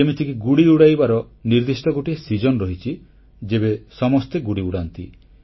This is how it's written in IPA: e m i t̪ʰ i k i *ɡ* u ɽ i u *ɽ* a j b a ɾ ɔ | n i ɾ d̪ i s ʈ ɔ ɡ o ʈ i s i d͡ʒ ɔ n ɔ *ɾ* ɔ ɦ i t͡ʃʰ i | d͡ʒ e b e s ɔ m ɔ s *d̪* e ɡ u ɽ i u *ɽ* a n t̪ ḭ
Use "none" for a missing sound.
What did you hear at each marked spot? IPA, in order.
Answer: ɡ, ɽ, ɾ, t̪, ɽ

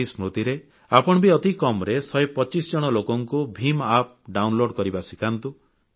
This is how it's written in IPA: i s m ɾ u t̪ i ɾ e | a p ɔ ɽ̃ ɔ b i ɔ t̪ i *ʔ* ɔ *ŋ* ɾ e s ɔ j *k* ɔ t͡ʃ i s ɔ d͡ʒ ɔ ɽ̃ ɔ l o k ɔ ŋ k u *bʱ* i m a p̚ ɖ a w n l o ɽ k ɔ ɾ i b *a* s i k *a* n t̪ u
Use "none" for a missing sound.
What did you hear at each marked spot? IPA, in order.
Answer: k, m, p, bʱ, a, a

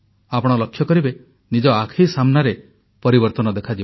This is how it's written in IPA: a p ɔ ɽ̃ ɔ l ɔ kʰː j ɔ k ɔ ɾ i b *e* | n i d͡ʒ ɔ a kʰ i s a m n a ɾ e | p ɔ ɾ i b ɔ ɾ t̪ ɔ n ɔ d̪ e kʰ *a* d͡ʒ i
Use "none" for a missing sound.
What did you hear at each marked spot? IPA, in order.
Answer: e, a

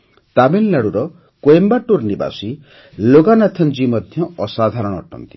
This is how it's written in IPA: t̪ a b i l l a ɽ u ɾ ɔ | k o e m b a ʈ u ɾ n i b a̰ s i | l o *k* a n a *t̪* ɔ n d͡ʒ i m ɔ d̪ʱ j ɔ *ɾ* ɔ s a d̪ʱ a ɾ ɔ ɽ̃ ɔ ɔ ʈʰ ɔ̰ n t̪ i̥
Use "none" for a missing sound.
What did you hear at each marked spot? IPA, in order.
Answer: ɡ, t̪ʰ, none

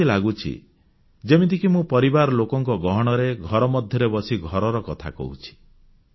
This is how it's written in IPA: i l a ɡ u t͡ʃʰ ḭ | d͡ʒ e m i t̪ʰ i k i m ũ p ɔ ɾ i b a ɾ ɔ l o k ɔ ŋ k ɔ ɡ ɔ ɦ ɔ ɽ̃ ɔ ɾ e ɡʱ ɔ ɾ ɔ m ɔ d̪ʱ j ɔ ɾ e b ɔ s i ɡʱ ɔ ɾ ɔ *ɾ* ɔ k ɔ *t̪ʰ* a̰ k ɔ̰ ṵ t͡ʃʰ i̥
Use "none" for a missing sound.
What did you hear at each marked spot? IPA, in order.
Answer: ɾ, t̪ʰ

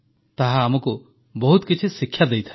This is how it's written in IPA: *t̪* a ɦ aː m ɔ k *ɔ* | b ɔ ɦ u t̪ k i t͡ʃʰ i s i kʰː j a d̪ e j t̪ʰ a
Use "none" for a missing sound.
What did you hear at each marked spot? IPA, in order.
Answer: t̪, u

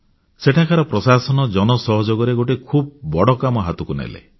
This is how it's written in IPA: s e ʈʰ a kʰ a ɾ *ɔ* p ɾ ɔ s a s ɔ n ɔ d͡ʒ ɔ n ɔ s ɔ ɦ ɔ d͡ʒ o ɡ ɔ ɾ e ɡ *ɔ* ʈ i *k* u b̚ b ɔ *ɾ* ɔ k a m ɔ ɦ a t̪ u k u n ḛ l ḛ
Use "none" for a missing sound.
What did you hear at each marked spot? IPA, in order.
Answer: ɔ, o, kʰ, ɽ

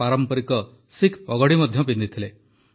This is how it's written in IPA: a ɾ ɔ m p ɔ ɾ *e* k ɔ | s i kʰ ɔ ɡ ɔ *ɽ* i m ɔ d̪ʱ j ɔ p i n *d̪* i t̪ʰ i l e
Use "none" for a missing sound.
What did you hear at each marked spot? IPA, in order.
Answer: i, ɽ, d̪

